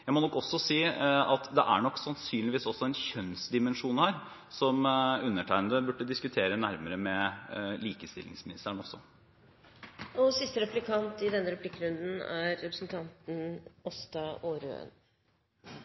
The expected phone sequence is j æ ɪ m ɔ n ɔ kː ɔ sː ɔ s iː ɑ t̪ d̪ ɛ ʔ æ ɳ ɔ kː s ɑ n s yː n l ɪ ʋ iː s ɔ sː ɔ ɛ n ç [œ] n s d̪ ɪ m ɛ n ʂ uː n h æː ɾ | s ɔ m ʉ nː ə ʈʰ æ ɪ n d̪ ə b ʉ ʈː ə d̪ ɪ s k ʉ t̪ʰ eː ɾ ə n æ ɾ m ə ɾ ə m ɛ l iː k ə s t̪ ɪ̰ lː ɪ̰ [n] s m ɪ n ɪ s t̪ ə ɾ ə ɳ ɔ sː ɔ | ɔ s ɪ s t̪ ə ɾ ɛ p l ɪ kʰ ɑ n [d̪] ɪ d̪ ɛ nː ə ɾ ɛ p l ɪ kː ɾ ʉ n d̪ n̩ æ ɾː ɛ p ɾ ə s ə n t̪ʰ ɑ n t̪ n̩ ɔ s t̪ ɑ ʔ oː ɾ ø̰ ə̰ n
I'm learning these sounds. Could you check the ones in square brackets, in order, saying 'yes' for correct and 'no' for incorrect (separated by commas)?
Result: yes, no, no